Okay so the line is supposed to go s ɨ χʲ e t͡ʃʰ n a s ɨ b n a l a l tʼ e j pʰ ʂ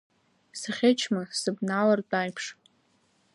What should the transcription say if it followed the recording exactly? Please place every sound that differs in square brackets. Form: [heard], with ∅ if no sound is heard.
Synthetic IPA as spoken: s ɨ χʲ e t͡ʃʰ [m] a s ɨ b n a l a [r] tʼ [a] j pʰ ʂ